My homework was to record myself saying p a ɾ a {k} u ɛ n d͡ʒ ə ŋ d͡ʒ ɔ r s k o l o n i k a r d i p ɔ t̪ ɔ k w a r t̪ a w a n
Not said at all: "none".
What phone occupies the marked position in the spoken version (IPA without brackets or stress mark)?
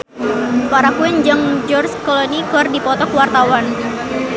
k